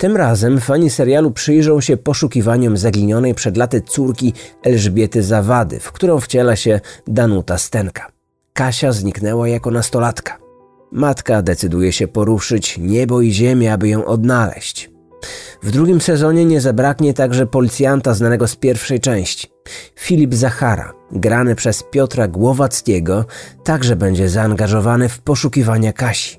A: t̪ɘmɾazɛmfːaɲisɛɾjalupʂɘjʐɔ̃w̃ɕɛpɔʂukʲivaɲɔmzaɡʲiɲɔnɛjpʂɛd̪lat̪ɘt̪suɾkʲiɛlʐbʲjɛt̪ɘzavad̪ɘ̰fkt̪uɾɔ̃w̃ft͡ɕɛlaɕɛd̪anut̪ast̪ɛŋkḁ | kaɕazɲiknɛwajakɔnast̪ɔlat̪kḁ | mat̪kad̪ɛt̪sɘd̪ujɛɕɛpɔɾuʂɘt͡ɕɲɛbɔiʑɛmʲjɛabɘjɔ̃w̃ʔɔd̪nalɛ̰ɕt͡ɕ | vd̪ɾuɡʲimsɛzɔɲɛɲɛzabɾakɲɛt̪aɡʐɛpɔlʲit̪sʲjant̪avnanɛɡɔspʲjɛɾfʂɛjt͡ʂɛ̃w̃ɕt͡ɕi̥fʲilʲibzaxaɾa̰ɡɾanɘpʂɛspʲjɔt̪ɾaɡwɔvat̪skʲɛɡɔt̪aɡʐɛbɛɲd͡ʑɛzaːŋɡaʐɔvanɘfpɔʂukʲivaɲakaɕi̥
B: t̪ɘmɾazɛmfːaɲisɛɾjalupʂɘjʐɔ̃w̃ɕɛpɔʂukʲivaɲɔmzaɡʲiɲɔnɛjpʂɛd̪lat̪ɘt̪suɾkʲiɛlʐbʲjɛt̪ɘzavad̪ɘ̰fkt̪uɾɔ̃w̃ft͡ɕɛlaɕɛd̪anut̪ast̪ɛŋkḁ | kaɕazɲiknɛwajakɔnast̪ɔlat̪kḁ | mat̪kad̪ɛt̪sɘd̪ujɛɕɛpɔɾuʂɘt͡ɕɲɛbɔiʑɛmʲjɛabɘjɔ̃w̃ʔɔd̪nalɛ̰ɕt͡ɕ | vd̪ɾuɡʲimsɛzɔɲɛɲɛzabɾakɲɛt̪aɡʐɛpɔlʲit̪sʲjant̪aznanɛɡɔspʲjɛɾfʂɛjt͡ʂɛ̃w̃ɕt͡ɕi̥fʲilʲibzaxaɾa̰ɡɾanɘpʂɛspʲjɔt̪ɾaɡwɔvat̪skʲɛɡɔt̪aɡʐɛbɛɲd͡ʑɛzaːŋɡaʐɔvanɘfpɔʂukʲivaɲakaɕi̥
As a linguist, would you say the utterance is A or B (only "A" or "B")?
B